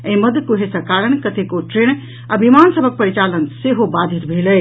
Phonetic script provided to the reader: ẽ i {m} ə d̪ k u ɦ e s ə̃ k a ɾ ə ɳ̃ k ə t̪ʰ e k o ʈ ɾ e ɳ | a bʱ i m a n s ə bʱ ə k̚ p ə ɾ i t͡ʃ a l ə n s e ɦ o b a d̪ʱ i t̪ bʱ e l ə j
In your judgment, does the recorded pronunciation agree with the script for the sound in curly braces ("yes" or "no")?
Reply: yes